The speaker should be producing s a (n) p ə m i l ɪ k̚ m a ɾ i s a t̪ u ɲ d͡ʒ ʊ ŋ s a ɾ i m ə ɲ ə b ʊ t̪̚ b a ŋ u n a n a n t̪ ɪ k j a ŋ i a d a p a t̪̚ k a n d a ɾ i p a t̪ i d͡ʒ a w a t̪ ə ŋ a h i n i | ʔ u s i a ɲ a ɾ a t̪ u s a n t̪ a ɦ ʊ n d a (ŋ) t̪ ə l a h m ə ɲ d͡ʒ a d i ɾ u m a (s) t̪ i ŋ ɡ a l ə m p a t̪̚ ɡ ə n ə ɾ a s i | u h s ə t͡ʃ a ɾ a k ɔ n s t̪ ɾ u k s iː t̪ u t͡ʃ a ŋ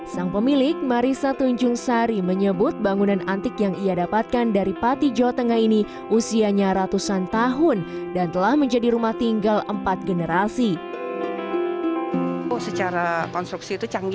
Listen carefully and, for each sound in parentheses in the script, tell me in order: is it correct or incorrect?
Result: incorrect, incorrect, incorrect

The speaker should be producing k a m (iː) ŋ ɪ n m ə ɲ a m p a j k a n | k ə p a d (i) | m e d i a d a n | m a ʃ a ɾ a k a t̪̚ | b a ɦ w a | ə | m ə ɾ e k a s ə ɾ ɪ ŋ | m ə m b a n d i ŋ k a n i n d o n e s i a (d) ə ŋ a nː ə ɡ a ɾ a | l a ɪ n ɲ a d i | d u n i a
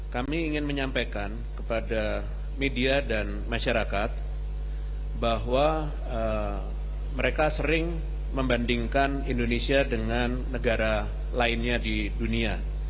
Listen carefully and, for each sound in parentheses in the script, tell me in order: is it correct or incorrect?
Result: correct, incorrect, correct

